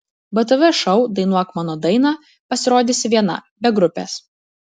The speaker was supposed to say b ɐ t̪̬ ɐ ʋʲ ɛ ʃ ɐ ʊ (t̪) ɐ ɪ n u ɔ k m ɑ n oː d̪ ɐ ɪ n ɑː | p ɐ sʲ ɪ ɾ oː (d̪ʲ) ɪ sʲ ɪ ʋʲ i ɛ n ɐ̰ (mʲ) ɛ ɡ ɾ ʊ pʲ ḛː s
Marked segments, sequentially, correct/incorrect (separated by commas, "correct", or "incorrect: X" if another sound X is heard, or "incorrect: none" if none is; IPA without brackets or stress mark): incorrect: d̪, correct, incorrect: bʲ